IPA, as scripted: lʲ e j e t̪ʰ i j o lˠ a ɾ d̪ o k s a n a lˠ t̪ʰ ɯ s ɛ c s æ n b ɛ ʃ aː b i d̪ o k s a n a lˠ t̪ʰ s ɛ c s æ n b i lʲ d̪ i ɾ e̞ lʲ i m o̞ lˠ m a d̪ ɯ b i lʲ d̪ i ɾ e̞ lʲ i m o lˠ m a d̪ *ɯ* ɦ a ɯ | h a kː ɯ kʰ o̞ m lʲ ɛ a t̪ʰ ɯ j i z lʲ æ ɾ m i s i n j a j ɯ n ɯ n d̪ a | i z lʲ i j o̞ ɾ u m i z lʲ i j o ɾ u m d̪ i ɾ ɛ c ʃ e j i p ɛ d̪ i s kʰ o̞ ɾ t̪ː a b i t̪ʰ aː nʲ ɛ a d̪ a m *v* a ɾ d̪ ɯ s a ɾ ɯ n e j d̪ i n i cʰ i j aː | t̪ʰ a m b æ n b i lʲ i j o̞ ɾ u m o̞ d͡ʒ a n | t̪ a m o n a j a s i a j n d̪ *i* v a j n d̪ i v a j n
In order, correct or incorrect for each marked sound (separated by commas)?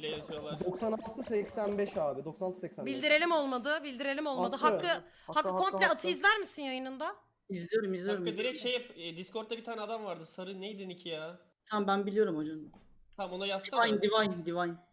correct, correct, correct